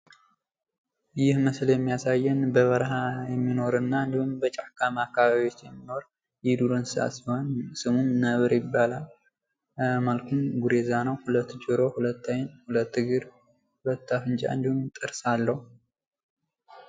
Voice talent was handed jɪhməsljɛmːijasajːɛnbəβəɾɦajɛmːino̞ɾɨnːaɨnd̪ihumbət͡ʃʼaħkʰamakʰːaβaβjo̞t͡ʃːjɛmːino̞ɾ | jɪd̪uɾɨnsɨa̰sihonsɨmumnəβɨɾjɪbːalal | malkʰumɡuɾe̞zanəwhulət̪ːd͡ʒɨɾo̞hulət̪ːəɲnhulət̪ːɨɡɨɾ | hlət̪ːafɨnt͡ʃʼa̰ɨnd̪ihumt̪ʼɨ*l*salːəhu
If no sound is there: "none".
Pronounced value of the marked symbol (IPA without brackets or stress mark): ɾ